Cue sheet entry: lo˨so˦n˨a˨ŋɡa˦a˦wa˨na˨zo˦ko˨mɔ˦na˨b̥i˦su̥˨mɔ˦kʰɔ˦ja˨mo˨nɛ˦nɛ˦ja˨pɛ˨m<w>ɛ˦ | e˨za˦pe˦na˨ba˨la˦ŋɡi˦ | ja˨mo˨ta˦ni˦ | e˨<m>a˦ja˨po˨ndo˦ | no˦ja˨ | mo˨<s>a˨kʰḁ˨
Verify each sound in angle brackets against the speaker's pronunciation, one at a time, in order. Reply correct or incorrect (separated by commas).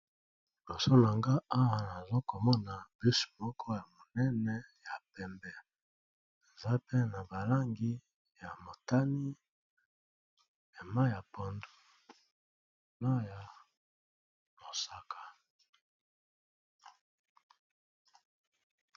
incorrect, correct, correct